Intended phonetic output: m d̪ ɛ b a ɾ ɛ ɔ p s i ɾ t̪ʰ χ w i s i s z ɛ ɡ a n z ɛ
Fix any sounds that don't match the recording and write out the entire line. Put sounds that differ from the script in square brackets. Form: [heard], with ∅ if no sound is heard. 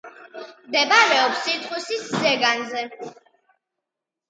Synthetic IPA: m d̪ ɛ b a ɾ ɛ ɔ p s i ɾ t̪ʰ χ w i s i s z ɛ ɡ a n z ɛ